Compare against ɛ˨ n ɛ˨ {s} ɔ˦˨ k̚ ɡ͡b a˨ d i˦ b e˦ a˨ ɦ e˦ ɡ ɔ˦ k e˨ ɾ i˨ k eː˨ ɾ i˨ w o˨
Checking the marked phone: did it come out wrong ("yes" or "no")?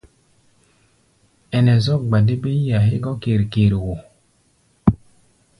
yes